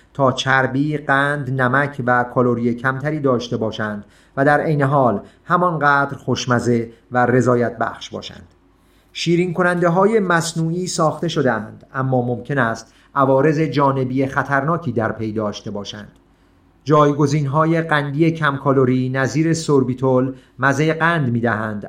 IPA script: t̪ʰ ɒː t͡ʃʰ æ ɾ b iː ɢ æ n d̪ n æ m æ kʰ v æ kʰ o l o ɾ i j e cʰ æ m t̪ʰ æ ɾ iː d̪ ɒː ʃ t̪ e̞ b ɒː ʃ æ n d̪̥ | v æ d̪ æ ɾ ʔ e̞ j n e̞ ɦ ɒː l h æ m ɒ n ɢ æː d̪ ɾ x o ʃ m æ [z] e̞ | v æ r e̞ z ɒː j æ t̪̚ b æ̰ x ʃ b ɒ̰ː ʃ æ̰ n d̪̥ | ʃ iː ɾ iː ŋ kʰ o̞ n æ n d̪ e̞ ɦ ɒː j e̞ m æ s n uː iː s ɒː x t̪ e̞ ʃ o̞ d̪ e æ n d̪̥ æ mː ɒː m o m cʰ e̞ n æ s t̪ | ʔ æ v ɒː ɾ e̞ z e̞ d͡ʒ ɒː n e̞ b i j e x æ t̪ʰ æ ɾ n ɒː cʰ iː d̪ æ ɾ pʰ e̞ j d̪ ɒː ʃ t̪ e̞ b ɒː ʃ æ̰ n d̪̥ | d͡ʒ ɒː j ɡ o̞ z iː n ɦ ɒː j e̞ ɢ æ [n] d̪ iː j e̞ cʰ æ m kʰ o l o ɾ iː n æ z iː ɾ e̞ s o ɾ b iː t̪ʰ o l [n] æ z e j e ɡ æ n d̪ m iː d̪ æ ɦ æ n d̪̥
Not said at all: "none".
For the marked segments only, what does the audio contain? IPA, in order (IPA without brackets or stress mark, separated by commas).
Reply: z, n, m